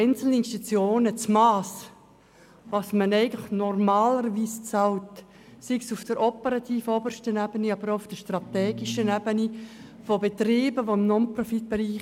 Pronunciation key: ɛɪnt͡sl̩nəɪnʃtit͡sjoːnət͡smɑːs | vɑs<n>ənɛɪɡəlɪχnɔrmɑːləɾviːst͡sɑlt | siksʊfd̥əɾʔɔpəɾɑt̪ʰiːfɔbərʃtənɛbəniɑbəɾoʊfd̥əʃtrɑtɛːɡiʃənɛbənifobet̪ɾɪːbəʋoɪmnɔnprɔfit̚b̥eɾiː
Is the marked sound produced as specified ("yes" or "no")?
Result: no